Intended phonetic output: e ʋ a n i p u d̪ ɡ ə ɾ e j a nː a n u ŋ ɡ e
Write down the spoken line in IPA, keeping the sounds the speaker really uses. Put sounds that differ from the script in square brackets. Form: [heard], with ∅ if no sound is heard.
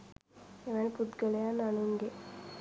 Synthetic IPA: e ʋ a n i p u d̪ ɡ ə [l] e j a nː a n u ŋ ɡ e